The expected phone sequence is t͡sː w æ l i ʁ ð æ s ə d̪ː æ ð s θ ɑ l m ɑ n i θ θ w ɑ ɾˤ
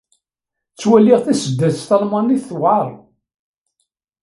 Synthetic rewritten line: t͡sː w æ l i ʁ θ æ s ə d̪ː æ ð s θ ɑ l m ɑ n i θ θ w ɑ ɾˤ

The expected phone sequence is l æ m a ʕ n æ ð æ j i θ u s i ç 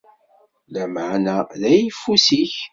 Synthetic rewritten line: l æ m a ʕ n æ ð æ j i f u s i ç

